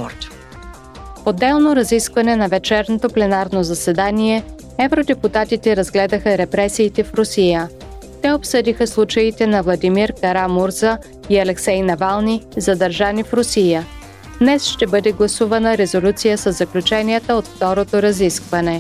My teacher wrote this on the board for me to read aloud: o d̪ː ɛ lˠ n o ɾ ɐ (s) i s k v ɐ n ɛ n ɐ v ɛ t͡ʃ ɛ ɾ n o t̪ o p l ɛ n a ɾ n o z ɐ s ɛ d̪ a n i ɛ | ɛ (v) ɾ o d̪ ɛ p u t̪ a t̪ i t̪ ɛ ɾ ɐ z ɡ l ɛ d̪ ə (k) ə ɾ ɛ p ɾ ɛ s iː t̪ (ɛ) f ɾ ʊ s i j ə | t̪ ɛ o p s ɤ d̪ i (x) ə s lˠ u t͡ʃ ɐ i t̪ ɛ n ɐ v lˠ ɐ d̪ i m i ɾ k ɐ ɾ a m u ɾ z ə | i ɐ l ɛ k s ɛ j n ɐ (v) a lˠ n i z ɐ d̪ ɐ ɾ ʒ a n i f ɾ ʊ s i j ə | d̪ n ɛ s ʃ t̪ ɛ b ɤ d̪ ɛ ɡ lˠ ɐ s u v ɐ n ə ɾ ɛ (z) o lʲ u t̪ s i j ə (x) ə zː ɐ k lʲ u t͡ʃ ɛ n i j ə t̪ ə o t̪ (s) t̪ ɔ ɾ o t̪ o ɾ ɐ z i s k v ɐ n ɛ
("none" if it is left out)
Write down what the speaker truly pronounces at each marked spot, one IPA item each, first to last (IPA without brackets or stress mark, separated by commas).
z, v, x, ɛ, x, v, z, s, f